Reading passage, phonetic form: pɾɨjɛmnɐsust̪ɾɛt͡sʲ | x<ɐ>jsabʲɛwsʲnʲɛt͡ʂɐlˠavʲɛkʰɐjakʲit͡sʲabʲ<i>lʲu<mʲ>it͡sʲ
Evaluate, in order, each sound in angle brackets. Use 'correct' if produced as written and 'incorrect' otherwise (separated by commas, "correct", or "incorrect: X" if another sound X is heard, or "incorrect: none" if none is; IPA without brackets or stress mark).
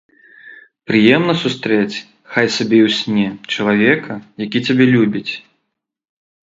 incorrect: a, incorrect: ɛ, incorrect: bʲ